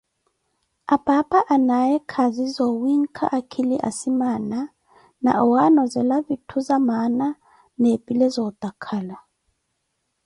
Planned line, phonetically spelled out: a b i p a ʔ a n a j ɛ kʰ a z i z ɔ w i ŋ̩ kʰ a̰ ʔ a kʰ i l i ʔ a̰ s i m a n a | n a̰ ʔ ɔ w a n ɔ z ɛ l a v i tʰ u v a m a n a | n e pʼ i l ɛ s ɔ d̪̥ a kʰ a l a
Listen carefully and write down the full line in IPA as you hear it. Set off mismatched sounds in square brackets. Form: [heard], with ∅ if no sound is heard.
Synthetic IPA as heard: a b [a] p a ʔ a n a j ɛ kʰ a z i z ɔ w i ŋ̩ kʰ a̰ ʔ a kʰ i l i ʔ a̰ s i m a n a | n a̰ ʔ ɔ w a n ɔ z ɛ l a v i tʰ u [z] a m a n a | n e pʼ i l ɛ [z] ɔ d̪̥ a kʰ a l a

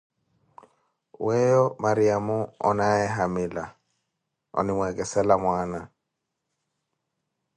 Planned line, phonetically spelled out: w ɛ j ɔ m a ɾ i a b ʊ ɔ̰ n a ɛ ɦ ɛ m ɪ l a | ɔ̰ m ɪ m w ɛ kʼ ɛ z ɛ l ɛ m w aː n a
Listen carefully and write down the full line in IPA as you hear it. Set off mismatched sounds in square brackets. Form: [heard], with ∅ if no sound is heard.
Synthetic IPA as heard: w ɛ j ɔ m a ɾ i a [m] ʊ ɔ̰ n a ɛ ɦ [a] m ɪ l a | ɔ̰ [n] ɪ m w ɛ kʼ ɛ [s] ɛ l [a] m w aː n a

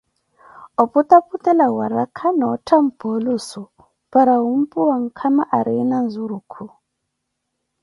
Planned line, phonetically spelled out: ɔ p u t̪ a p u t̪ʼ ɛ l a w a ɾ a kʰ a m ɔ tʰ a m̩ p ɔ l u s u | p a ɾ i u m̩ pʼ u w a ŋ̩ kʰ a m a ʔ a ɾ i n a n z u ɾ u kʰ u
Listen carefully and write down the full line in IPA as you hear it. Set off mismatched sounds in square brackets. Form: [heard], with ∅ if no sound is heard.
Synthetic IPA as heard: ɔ p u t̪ a p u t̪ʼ ɛ l a w a ɾ a kʰ a [n] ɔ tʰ a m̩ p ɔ l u s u | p a ɾ [a] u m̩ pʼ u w a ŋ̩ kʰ a m a ʔ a ɾ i n a n z u ɾ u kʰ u

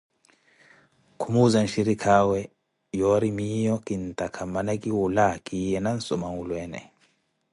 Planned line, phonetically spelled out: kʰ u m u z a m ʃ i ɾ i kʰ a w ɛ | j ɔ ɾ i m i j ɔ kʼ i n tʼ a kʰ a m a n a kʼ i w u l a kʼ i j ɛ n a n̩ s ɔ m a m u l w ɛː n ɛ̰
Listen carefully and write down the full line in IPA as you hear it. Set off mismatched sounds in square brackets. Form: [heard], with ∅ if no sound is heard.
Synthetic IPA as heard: kʰ u m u z a [n] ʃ i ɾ i kʰ a w ɛ | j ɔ ɾ i m i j ɔ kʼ i n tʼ a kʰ a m a n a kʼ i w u l a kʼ i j ɛ n a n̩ s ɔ m a [ŋ] u l w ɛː n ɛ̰

